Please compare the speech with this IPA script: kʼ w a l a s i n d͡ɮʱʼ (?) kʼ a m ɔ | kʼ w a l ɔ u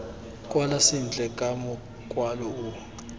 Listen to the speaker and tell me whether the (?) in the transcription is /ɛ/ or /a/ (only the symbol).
ɛ